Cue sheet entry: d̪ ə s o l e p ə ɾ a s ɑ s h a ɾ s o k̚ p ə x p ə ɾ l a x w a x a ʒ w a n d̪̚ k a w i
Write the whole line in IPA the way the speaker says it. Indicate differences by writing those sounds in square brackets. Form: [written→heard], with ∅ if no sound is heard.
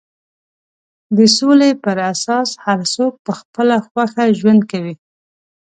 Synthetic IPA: d̪ ə s o l e p ə ɾ a s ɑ s h a ɾ s o k̚ p ə x p ə [ɾ→∅] l a x w a x a ʒ w a n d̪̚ k a w i